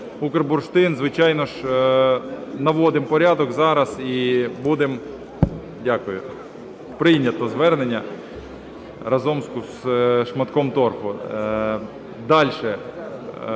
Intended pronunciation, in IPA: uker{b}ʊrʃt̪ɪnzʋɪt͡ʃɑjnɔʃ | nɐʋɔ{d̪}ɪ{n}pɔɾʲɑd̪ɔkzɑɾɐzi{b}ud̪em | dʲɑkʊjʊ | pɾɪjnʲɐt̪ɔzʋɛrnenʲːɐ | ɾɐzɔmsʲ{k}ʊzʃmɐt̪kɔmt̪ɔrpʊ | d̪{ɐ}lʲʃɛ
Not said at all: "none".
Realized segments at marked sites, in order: b, d̪, m, b, k, ɑ

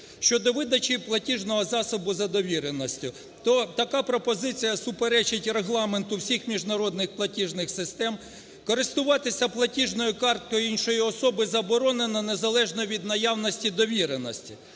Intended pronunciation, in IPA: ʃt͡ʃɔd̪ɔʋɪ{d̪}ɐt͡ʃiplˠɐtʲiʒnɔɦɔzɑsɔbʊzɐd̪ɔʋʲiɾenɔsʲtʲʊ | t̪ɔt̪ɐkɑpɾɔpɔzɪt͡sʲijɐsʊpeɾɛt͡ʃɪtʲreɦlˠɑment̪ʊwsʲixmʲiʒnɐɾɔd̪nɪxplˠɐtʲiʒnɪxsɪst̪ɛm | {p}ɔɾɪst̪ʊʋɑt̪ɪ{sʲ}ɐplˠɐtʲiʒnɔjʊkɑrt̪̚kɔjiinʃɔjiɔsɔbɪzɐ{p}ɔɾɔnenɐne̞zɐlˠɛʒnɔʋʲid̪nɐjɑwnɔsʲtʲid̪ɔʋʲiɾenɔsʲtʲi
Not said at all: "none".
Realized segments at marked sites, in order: d̪, k, sʲ, b

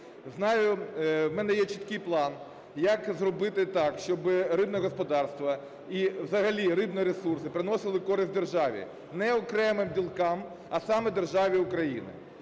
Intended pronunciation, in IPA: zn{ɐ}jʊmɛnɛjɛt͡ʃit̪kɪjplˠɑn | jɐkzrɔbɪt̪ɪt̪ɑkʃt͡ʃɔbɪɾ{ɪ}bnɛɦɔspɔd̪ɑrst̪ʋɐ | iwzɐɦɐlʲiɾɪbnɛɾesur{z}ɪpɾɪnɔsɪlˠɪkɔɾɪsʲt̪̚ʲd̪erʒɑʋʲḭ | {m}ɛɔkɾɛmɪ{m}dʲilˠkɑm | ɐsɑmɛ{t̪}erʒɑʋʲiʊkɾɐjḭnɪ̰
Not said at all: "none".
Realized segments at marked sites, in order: ɑ, ɪ, s, n, m, d̪

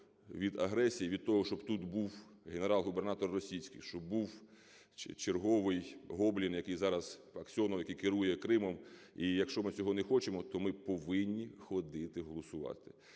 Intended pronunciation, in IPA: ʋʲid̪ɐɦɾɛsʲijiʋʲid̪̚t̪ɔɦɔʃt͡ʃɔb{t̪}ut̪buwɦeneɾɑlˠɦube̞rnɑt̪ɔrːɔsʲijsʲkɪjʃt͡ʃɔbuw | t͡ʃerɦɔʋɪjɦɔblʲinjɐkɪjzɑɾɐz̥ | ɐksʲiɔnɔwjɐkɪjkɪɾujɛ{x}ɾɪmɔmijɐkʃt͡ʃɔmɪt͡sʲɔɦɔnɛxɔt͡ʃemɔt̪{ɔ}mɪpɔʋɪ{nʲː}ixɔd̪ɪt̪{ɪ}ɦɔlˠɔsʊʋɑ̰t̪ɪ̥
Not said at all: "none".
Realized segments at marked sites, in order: t̪, k, ɔ, nʲː, ɪ

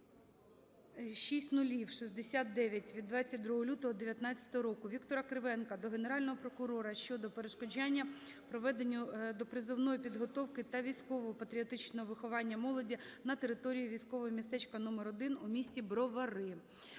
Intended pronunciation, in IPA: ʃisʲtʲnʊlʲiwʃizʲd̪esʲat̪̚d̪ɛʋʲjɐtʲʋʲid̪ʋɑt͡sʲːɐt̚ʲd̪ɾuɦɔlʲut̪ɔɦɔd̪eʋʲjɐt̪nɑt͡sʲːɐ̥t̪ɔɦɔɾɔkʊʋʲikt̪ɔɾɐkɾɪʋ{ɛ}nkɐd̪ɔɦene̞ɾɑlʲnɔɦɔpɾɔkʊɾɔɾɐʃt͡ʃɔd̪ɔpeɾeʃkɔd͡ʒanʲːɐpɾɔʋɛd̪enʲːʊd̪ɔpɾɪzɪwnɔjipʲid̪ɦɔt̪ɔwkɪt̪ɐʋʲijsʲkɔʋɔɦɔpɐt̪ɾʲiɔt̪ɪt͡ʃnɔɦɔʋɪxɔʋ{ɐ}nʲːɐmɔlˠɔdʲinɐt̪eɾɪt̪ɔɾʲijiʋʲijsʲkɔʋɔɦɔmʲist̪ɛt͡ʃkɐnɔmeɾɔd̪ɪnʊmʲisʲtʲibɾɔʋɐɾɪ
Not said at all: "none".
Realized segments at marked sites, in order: ɛ, ɑ

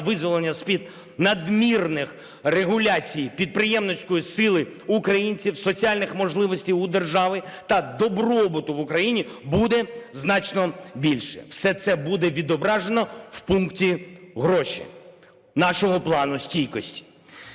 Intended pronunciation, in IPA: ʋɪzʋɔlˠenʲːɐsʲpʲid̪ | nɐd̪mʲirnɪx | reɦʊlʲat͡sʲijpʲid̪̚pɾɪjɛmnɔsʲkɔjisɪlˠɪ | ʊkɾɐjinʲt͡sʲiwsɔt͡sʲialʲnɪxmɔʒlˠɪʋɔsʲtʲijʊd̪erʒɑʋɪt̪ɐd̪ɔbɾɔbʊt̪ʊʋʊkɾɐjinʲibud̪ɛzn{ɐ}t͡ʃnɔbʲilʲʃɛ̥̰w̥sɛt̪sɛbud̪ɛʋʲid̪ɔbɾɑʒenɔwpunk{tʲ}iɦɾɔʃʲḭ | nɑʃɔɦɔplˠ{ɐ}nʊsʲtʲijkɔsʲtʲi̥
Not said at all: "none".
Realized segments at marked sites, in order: ɑ, tʲ, ɑ

